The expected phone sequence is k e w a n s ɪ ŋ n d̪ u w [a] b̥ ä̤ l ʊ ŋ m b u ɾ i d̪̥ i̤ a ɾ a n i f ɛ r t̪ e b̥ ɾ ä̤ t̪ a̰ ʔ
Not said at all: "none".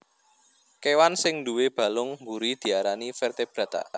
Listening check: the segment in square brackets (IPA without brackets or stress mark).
e